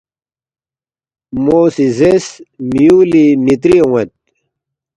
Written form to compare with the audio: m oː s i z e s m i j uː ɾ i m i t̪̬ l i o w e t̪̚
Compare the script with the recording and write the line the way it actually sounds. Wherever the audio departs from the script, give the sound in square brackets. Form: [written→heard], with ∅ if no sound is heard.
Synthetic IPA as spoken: m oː s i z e s m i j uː [ɾ→l] i m i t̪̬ [l→ɾ] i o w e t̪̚

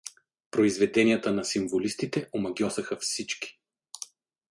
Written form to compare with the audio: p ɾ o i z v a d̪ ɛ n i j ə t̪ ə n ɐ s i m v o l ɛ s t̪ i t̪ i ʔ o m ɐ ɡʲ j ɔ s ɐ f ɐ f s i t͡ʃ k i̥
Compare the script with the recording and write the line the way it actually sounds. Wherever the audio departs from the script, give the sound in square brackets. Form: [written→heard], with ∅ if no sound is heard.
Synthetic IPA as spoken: p ɾ o i z v [a→ɛ] d̪ ɛ n i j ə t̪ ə n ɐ s i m v o l [ɛ→i] s t̪ i t̪ [i→ɛ] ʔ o m ɐ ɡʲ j ɔ s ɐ [f→x] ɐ f s i t͡ʃ k i̥

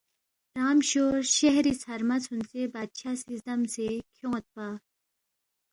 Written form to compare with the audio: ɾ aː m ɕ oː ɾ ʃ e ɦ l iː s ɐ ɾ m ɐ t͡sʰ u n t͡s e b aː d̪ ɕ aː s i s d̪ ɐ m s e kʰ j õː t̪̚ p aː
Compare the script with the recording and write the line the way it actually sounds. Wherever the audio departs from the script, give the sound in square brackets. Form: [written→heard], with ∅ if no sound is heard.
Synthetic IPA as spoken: ɾ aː m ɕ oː ɾ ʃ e ɦ [l→ɾ] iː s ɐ ɾ m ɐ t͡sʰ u n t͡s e b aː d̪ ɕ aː s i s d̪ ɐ m s e kʰ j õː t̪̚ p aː

